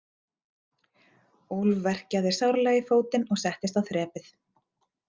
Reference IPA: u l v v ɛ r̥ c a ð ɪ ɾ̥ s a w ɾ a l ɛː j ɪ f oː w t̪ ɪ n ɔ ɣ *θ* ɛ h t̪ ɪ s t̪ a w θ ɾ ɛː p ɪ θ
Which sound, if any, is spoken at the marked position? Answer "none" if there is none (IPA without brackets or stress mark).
s